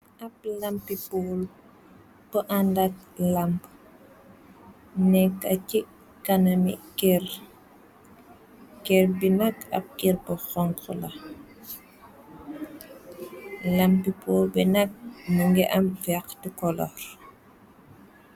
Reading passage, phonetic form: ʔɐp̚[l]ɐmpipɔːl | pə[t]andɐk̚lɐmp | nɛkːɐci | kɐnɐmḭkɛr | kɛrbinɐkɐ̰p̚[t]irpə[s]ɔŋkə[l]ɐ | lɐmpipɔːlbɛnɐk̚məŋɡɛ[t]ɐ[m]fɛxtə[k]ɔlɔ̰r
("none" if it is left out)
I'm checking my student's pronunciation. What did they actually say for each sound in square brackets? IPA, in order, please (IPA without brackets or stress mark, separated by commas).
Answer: l, ʔ, k, x, l, ʔ, m, k